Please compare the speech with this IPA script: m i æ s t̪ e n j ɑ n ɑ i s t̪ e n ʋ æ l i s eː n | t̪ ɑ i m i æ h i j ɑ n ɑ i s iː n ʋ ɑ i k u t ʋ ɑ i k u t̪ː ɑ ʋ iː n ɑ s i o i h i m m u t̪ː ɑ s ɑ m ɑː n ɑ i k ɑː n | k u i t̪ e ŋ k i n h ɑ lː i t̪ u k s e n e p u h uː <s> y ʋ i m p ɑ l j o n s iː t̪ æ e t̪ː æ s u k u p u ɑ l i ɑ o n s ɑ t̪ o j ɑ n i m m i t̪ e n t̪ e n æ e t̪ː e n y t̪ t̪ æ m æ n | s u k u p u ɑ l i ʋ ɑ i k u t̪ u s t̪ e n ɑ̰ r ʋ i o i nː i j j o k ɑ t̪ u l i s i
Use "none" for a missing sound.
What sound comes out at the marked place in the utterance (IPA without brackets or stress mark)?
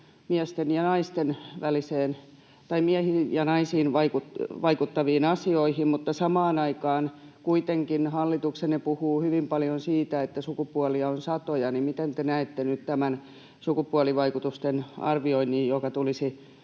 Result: h